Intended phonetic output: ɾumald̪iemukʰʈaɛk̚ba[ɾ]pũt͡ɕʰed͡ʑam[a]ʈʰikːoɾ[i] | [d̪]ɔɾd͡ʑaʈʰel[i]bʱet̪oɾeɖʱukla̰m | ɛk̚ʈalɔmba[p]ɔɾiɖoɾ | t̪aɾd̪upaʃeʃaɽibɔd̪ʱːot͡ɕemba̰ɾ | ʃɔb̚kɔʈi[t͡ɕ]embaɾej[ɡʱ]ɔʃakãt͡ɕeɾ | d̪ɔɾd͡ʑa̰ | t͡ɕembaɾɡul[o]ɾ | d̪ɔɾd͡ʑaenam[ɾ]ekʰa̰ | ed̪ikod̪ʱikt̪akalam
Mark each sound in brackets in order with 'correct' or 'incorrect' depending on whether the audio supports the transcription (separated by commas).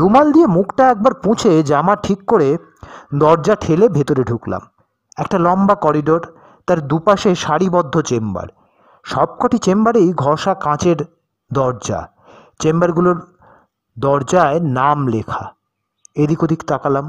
correct, correct, incorrect, correct, incorrect, incorrect, correct, correct, correct, incorrect